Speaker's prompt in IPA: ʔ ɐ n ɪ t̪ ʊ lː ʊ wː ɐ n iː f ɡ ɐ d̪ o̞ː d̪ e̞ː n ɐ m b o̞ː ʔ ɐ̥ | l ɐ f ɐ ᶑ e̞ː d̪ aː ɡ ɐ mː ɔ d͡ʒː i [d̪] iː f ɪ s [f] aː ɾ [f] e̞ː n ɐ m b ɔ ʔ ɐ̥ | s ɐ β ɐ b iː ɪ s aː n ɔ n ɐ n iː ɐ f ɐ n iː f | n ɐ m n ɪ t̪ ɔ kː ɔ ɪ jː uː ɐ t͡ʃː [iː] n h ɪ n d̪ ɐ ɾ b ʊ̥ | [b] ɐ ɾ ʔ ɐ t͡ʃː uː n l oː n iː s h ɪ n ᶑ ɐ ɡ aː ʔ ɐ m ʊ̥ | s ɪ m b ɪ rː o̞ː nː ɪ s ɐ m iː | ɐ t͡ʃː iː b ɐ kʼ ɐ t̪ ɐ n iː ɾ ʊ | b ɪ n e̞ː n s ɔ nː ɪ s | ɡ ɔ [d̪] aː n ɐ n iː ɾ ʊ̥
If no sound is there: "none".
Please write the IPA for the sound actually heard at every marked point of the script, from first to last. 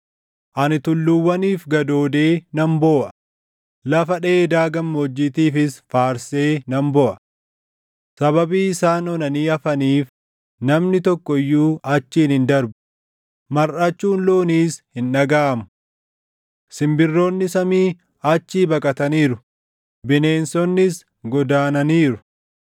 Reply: t̪, f, s, iː, m, d̪

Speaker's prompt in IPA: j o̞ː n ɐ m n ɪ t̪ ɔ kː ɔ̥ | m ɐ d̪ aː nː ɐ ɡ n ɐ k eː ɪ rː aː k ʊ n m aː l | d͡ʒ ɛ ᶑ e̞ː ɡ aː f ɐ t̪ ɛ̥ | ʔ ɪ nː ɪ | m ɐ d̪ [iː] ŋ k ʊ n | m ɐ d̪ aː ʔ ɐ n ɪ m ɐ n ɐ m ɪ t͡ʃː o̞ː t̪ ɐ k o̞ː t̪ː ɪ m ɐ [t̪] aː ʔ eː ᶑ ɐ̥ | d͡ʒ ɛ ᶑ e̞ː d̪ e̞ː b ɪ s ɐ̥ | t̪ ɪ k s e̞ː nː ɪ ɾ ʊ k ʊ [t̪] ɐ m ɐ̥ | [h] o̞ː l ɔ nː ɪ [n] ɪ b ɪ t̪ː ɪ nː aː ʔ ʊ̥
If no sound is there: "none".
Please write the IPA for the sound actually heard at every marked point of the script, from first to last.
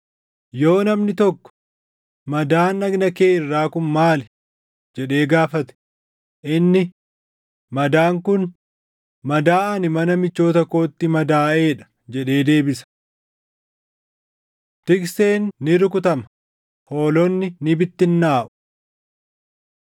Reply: aː, d̪, t̪, h, n

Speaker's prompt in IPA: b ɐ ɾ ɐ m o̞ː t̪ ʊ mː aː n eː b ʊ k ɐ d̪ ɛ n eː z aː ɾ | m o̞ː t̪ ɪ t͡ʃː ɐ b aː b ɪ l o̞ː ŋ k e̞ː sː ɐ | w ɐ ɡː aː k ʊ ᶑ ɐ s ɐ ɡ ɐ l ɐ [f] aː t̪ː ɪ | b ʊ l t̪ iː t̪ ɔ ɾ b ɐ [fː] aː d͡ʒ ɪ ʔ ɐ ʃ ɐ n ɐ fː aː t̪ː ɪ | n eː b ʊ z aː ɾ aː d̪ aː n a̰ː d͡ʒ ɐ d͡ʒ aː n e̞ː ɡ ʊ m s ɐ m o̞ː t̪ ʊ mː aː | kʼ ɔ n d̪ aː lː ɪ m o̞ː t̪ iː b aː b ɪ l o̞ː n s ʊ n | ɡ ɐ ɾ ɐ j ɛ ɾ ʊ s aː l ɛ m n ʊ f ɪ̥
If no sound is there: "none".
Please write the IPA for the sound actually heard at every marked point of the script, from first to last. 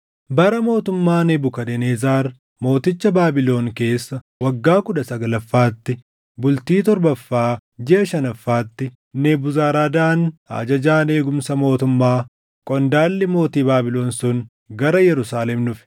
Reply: fː, fː

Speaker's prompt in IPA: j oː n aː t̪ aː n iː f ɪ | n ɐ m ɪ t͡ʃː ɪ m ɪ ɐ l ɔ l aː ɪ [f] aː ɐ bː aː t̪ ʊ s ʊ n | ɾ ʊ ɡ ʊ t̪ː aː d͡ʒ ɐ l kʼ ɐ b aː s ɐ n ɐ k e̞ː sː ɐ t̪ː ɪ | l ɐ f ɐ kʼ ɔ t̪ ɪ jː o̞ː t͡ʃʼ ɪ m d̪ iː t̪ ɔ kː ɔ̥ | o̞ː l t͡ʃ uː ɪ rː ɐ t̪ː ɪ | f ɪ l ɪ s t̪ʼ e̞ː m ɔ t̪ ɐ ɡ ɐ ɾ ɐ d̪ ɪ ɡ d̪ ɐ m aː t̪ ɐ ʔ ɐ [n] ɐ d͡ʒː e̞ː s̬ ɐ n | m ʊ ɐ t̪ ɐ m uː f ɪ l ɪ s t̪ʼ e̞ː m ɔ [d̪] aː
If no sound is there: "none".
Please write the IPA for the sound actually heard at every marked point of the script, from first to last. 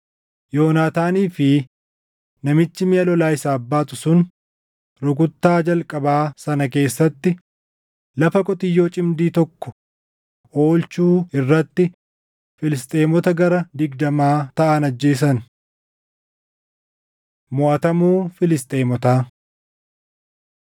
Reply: s, n, t̪

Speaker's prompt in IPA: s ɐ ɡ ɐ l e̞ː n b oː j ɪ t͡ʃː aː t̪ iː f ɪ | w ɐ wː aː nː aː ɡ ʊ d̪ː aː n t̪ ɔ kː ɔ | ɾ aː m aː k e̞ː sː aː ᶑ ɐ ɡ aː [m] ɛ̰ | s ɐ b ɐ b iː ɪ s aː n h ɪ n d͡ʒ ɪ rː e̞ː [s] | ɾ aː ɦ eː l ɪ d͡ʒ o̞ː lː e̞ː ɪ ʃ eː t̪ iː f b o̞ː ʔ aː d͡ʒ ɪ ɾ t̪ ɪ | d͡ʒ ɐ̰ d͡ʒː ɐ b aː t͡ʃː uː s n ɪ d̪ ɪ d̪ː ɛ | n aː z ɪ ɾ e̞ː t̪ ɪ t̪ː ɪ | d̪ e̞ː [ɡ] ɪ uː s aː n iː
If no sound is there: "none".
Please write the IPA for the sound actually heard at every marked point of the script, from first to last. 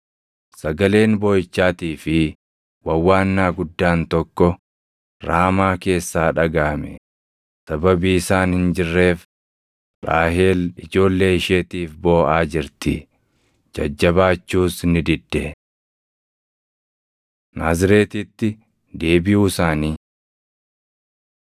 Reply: m, f, b

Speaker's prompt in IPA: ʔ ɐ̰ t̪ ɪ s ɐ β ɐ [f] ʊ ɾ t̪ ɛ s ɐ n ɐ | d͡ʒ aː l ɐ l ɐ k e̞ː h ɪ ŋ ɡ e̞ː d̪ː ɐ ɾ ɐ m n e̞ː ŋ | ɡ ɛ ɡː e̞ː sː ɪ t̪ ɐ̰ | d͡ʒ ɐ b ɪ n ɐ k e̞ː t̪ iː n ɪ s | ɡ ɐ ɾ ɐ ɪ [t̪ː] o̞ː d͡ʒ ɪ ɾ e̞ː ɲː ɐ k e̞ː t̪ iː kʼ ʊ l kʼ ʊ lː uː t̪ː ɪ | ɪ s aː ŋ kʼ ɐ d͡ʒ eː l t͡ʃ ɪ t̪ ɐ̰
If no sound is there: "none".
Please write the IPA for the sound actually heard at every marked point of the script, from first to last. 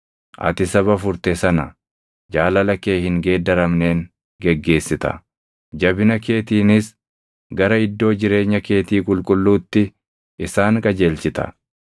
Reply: f, d̪ː

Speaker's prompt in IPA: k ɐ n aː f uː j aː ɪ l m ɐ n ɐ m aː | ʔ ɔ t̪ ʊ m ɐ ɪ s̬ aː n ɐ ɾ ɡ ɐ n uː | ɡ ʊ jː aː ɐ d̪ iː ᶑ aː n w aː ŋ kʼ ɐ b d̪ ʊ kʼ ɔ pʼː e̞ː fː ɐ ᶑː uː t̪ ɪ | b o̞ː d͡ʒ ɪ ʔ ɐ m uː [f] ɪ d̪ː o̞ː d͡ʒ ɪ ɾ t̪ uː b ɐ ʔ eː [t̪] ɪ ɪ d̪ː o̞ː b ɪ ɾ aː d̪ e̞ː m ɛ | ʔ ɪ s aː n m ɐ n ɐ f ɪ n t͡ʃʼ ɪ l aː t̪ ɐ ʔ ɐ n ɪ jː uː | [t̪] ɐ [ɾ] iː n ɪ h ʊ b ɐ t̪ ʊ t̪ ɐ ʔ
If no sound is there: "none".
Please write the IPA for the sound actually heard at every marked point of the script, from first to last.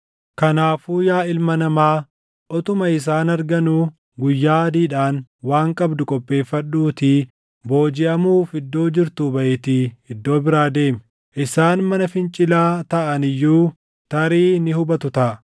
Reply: f, t̪, t̪, ɾ

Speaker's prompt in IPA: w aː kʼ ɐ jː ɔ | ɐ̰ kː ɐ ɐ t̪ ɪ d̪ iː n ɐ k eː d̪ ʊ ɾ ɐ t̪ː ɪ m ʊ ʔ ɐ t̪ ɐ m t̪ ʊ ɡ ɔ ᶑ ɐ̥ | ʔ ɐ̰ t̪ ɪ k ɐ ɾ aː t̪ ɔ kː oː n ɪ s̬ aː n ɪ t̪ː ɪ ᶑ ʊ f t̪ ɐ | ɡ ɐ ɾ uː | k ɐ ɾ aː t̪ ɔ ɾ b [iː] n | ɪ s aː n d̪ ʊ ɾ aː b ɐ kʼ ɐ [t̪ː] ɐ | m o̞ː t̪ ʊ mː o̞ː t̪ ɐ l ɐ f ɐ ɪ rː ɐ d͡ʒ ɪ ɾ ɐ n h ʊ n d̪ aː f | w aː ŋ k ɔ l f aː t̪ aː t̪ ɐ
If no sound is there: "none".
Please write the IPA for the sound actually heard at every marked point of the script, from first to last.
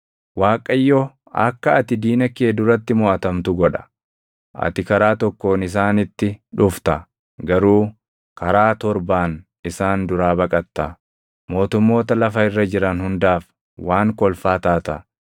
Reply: aː, t̪ː

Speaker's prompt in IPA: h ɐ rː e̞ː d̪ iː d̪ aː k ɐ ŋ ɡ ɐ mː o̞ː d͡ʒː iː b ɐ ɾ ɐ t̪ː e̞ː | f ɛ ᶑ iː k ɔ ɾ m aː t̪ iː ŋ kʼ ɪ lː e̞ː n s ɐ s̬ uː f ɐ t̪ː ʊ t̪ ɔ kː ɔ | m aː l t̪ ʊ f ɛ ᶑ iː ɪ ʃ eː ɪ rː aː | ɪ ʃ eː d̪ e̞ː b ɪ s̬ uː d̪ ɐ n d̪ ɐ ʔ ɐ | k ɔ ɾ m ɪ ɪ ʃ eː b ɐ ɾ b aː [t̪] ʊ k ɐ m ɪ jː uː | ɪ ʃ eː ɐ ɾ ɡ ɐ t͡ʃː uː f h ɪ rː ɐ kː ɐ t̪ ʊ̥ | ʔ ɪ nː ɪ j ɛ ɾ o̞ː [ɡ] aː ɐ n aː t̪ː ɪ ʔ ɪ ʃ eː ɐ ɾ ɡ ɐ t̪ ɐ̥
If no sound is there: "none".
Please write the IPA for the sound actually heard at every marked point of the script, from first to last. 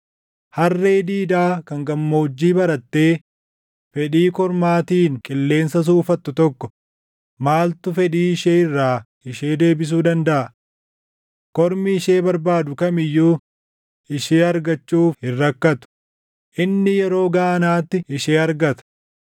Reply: d̪, ɡ

